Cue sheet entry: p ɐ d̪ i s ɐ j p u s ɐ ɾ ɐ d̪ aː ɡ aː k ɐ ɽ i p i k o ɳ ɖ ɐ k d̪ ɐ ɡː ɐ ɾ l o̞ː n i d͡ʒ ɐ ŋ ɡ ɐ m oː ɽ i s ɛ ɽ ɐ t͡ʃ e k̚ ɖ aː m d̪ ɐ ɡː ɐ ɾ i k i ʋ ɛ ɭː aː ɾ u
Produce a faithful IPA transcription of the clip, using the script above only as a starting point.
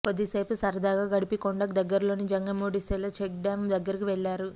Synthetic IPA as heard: p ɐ d̪ i s ɐ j p u s ɐ ɾ ɐ d̪ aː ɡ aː ɡ ɐ ɽ i p i k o ɳ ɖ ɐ k d̪ ɐ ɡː ɐ ɾ l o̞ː n i d͡ʒ ɐ ŋ ɡ ɐ m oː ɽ i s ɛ l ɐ t͡ʃ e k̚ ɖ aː m d̪ ɐ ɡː ɐ ɾ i k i ʋ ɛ ɭː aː ɾ u